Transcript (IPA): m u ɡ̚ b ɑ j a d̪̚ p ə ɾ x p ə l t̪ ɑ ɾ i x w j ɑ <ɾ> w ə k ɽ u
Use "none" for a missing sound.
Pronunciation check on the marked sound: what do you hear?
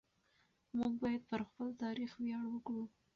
ɽ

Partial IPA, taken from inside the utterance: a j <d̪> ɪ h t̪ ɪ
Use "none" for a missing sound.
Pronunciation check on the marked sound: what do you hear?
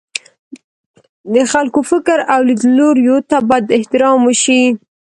d̪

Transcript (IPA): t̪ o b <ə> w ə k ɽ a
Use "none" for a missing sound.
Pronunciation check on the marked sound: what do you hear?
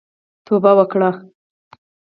a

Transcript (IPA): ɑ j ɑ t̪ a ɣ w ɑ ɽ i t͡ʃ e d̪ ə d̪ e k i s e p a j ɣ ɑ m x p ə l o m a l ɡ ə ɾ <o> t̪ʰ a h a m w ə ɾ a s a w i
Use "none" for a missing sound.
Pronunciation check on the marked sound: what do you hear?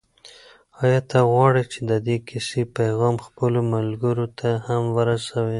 o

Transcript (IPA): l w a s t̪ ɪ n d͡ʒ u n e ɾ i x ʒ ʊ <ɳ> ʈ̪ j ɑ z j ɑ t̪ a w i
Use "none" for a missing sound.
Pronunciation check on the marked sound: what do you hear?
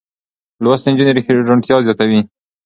ɳ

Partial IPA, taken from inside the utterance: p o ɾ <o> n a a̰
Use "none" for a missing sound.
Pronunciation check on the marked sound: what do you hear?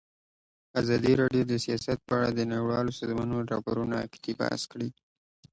u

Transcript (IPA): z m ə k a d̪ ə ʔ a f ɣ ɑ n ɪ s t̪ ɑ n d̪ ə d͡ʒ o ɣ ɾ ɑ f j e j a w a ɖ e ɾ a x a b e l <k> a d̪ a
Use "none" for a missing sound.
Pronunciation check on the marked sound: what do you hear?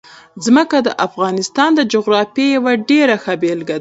ɡ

